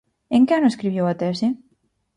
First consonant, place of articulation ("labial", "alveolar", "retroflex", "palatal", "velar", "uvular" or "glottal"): velar